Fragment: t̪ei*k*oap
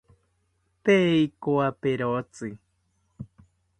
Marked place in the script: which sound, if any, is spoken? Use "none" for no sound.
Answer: k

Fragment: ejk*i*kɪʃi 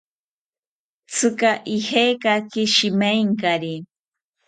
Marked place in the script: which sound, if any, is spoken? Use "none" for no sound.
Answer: a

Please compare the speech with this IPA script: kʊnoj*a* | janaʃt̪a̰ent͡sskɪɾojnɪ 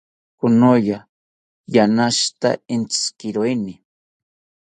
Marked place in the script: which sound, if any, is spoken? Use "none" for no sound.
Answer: a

